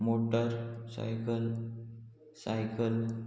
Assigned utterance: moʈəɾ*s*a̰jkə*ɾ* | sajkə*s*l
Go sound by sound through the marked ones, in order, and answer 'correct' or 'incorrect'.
correct, incorrect: l, incorrect: none

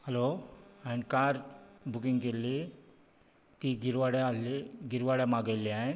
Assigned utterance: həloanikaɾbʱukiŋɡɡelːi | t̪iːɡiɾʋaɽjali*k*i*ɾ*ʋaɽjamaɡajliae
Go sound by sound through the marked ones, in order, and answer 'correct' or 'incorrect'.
incorrect: ɡ, correct

